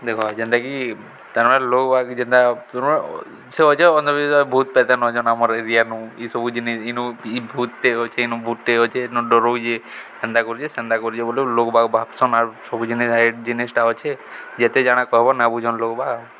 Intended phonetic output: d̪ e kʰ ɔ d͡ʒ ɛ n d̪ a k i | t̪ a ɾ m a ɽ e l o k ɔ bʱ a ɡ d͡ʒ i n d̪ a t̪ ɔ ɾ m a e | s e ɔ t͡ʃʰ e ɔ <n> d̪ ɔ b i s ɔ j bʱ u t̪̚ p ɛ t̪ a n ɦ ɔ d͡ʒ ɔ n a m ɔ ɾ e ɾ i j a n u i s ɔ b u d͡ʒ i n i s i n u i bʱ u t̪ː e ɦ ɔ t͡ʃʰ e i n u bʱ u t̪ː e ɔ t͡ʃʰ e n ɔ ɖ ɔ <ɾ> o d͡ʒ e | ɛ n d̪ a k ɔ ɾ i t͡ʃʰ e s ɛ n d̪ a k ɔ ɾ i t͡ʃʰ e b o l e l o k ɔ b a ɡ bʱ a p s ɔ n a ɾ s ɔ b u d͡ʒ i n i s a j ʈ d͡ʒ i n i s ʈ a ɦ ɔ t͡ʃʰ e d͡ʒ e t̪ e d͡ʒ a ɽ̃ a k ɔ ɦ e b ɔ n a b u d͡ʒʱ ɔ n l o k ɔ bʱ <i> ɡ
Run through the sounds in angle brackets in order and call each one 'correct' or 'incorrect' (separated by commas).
correct, correct, incorrect